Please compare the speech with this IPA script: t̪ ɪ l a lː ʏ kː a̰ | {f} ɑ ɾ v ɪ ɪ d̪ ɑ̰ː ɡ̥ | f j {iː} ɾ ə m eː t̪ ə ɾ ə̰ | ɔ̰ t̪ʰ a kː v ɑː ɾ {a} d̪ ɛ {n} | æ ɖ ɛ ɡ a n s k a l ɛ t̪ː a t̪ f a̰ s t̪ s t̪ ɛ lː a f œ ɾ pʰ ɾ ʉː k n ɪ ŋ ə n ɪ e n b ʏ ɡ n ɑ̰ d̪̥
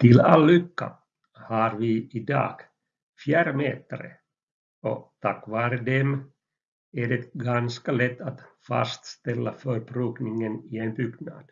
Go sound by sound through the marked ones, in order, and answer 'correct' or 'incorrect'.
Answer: incorrect: h, incorrect: æː, incorrect: ə, incorrect: m

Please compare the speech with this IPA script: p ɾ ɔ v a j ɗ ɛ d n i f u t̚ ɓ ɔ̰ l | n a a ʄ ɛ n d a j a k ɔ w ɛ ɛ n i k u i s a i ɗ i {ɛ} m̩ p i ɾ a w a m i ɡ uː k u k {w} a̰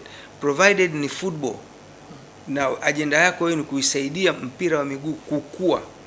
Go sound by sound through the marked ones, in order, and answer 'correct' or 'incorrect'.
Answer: incorrect: a, incorrect: u

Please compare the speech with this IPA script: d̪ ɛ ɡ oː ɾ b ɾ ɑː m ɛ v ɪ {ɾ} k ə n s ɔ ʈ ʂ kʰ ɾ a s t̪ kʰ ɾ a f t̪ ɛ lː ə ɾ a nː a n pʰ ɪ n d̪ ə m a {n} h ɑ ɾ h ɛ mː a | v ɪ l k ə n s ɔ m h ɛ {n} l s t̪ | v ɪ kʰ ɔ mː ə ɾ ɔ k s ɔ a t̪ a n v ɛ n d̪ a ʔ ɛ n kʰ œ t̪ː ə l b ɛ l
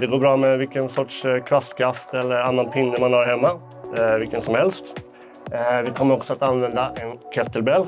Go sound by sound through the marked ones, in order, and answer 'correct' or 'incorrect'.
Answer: incorrect: l, correct, incorrect: none

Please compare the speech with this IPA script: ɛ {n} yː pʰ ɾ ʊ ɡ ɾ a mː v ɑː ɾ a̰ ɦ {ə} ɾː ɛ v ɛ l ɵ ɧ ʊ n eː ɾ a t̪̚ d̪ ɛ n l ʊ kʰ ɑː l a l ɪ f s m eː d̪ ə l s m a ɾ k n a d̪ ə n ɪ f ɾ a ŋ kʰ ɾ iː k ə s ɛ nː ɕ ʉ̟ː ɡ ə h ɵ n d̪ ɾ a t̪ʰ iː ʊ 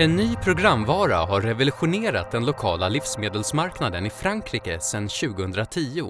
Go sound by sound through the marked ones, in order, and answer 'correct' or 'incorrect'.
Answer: incorrect: nː, incorrect: a

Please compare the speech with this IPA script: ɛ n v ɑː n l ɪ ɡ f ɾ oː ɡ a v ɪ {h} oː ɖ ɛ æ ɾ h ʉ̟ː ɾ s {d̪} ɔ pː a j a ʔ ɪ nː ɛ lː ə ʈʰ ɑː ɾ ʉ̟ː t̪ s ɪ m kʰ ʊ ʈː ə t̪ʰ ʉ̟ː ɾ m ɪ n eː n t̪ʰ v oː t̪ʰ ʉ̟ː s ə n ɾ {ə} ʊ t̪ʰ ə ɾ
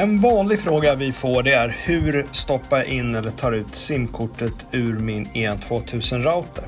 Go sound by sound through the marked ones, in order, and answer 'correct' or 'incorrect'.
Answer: incorrect: f, incorrect: t̪, incorrect: a

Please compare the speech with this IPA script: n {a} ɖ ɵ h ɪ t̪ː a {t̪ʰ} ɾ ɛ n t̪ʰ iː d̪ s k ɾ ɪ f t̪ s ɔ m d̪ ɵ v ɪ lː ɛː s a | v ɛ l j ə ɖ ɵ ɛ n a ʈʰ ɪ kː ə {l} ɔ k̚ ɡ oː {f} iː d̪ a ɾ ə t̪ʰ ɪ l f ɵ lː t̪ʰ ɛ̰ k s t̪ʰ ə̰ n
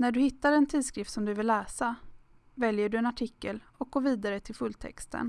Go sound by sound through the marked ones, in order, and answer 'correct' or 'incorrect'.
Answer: incorrect: æ, incorrect: none, correct, incorrect: v

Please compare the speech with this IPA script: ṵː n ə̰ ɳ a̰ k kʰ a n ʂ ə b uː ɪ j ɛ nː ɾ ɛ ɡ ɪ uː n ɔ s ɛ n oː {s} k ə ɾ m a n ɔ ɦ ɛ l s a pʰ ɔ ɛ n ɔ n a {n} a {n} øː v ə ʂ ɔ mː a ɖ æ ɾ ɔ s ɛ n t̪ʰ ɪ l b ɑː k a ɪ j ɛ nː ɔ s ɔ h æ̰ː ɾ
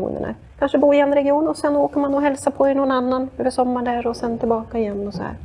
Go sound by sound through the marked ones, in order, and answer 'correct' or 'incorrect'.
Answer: incorrect: none, incorrect: nː, correct

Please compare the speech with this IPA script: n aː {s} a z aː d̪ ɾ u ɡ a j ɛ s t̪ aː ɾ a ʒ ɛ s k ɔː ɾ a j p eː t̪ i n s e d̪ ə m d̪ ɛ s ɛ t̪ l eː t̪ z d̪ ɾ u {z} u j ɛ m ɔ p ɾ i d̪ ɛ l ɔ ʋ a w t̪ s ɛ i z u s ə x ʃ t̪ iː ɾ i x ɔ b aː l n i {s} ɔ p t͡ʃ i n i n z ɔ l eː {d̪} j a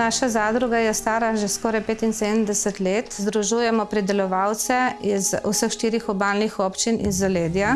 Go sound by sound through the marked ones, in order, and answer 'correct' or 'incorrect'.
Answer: incorrect: ʃ, incorrect: ʒ, incorrect: x, correct

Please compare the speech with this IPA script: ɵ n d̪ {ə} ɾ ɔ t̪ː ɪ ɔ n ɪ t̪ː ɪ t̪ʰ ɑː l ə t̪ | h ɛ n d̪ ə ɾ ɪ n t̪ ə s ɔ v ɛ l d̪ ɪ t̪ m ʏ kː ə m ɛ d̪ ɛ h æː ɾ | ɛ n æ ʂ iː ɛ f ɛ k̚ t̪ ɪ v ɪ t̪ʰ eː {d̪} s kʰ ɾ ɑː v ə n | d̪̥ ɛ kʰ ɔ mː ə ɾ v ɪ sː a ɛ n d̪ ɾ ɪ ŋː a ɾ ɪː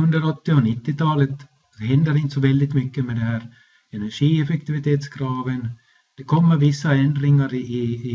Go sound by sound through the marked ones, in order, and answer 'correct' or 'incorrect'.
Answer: correct, incorrect: t̪

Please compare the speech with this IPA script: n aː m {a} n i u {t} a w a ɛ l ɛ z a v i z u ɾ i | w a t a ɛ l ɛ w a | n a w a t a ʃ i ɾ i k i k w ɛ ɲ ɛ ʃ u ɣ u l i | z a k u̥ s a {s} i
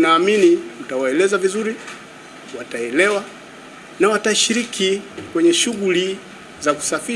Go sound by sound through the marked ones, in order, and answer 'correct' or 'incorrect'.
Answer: incorrect: i, correct, incorrect: f

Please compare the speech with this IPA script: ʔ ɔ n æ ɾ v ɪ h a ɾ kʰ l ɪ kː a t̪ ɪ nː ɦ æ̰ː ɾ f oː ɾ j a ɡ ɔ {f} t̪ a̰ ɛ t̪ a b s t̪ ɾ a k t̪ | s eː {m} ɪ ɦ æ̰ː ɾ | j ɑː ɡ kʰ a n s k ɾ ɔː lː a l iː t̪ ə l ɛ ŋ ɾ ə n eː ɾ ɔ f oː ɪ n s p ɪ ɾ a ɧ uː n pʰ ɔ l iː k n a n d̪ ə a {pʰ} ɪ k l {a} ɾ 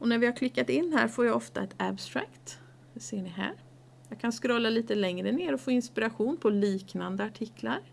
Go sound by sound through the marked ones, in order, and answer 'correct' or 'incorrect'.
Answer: correct, incorrect: ɳ, incorrect: ʈʰ, correct

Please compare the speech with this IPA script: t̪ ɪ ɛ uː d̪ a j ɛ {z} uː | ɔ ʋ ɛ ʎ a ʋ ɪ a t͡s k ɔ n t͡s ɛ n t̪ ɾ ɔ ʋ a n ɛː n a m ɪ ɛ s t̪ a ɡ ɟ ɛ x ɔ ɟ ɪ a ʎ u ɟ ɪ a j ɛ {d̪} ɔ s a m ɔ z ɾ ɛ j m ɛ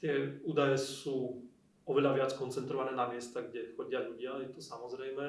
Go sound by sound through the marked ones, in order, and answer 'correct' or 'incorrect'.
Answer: incorrect: s, incorrect: t̪

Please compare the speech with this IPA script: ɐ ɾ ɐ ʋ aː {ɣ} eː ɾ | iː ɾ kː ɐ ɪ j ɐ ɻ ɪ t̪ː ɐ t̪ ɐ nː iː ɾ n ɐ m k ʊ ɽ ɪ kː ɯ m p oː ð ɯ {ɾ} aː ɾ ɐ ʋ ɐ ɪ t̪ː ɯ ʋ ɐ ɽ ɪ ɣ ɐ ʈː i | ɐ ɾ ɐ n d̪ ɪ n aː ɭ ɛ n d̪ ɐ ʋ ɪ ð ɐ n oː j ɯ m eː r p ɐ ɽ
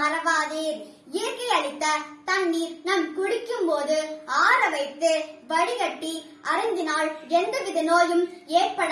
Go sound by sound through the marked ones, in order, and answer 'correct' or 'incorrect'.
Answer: incorrect: ð, incorrect: none

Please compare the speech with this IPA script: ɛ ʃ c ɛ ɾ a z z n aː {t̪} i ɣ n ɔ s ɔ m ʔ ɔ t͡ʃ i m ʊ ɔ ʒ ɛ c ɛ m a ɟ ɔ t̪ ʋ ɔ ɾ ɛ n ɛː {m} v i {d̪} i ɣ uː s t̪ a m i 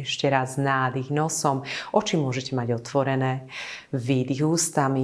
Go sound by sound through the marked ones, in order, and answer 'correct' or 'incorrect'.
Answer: incorrect: d̪, incorrect: none, correct

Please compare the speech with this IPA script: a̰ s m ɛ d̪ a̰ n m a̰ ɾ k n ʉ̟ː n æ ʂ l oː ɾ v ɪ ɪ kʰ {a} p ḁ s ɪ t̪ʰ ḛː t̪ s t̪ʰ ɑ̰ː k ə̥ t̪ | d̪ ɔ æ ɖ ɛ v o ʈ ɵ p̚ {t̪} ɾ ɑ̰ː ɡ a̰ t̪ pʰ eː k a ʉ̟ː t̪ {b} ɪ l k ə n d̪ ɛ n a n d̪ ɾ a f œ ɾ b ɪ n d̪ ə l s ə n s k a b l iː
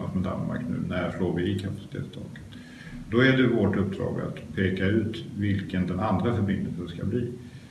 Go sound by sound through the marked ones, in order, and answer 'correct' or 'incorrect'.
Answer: correct, incorrect: d̪, incorrect: v

